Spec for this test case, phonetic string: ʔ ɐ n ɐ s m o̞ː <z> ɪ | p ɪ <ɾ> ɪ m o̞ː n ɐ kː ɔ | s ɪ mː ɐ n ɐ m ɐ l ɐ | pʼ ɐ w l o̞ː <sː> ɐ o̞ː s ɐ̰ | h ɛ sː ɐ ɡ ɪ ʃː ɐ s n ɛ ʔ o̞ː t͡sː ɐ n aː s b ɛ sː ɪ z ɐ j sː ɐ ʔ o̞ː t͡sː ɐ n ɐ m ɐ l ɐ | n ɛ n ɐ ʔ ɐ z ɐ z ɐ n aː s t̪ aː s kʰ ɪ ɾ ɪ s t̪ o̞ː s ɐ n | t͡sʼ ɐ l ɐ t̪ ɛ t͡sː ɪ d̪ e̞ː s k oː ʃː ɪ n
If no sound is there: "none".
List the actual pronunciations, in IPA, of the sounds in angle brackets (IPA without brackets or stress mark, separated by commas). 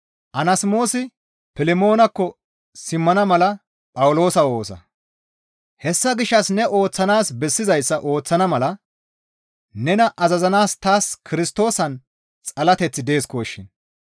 s, l, s